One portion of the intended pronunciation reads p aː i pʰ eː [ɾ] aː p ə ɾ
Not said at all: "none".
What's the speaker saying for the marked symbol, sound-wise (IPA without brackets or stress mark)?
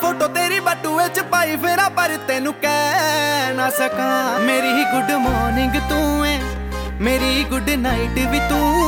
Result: ɾ